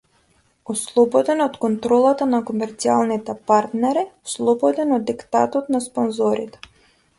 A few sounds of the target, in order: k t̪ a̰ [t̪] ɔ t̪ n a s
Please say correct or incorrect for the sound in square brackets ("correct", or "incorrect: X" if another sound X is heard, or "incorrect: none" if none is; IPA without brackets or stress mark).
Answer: correct